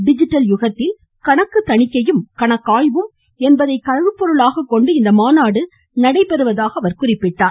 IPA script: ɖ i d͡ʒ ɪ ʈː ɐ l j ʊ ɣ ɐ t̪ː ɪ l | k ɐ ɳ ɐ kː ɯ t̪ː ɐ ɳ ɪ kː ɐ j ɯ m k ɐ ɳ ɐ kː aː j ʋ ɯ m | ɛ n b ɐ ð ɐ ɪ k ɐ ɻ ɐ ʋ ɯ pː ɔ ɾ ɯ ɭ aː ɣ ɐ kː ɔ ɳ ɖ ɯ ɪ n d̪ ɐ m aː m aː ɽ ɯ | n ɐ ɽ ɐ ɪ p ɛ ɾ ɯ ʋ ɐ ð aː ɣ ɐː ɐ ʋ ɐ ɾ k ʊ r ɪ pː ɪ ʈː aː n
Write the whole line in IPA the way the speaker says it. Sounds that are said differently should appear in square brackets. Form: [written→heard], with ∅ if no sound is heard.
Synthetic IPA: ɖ [i→ɪ] d͡ʒ ɪ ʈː ɐ l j ʊ ɣ ɐ t̪ː ɪ l | k ɐ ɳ ɐ kː ɯ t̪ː ɐ ɳ ɪ kː ɐ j ɯ m k ɐ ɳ ɐ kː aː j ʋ ɯ m | ɛ n b ɐ ð ɐ ɪ k ɐ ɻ ɐ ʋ ɯ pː ɔ ɾ ɯ ɭ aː ɣ ɐ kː ɔ ɳ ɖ ɯ ɪ n d̪ ɐ m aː [m→n] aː ɽ ɯ | n ɐ ɽ ɐ ɪ p ɛ ɾ ɯ ʋ ɐ ð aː ɣ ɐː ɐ ʋ ɐ ɾ k ʊ r ɪ pː ɪ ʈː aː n

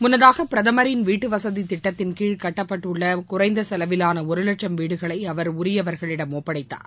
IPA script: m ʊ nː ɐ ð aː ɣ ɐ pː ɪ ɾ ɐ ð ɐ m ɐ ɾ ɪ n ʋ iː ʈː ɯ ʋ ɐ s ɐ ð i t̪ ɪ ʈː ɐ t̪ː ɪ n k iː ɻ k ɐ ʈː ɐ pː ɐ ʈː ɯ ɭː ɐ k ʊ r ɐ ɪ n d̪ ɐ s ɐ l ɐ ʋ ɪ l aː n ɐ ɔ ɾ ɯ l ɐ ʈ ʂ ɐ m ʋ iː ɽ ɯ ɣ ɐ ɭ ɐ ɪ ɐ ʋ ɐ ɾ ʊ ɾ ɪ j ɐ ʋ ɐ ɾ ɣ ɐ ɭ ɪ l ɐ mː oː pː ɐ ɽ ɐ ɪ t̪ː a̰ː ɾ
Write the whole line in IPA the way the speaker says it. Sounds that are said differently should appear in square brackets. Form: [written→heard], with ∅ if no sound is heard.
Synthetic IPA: m ʊ nː ɐ ð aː ɣ ɐ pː ɪ ɾ ɐ ð ɐ m ɐ ɾ ɪ n ʋ iː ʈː ɯ ʋ ɐ s ɐ ð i t̪ ɪ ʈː ɐ t̪ː ɪ n k iː ɻ k ɐ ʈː ɐ pː ɐ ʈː ɯ ɭː ɐ k ʊ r ɐ ɪ n d̪ ɐ s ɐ l ɐ ʋ ɪ l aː n ɐ ɔ ɾ ɯ l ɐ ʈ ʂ ɐ m ʋ iː ɽ ɯ ɣ ɐ ɭ ɐ ɪ ɐ ʋ ɐ ɾ ʊ ɾ ɪ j ɐ ʋ ɐ ɾ ɣ ɐ ɭ ɪ [l→ɽ] ɐ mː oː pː ɐ ɽ ɐ ɪ t̪ː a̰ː ɾ

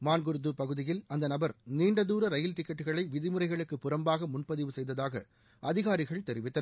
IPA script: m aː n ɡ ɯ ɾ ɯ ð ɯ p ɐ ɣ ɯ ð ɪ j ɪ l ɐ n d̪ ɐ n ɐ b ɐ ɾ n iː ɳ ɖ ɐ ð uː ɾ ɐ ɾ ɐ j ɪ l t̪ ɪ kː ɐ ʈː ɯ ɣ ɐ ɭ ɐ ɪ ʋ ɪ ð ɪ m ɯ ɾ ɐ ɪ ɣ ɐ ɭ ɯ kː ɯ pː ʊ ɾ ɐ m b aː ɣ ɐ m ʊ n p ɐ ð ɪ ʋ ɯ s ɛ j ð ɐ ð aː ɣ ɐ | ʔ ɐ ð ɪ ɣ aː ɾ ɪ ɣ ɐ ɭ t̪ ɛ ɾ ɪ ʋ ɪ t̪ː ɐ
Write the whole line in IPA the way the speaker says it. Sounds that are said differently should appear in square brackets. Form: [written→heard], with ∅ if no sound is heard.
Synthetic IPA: m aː n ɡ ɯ ɾ ɯ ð ɯ p ɐ ɣ ɯ ð ɪ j ɪ l ɐ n d̪ ɐ n ɐ b ɐ ɾ n iː ɳ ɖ ɐ ð uː ɾ ɐ ɾ ɐ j ɪ l t̪ ɪ kː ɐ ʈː ɯ ɣ ɐ ɭ ɐ ɪ ʋ ɪ ð ɪ m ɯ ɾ ɐ ɪ ɣ ɐ ɭ ɯ kː ɯ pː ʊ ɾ ɐ m b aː ɣ ɐ m ʊ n p ɐ ð ɪ ʋ ɯ s ɛ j ð ɐ ð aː ɣ ɐ | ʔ ɐ ð ɪ ɣ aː ɾ ɪ ɣ ɐ ɭ t̪ ɛ ɾ ɪ ʋ ɪ t̪ː ɐ

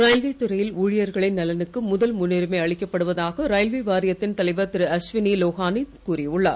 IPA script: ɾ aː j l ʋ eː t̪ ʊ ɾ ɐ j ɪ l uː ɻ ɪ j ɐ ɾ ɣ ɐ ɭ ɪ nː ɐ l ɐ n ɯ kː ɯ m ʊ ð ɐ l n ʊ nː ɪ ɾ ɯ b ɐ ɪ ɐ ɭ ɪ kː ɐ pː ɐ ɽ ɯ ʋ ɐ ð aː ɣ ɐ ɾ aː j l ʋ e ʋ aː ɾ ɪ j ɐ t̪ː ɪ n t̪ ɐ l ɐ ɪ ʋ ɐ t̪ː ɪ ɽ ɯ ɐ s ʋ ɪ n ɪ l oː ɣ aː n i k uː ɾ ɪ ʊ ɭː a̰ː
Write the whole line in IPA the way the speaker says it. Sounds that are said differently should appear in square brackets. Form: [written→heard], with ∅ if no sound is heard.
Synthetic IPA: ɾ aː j l ʋ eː t̪ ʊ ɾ ɐ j ɪ l uː ɻ ɪ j ɐ ɾ ɣ ɐ ɭ ɪ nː ɐ l ɐ n ɯ kː ɯ m ʊ ð ɐ l [n→m] ʊ nː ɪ ɾ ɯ [b→m] ɐ ɪ ɐ ɭ ɪ kː ɐ pː ɐ ɽ ɯ ʋ ɐ ð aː ɣ ɐ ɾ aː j l ʋ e ʋ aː ɾ ɪ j ɐ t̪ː ɪ n t̪ ɐ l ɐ ɪ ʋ ɐ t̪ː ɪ [ɽ→ɾ] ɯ ɐ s ʋ ɪ n [ɪ→i] l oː ɣ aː n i k uː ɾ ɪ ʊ ɭː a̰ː

